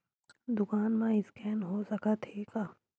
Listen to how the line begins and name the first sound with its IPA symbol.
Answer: d̪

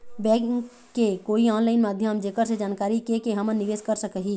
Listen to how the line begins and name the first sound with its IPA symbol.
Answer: b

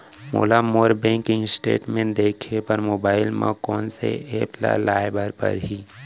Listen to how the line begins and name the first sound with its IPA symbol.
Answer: m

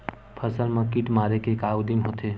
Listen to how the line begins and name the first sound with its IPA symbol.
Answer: pʰ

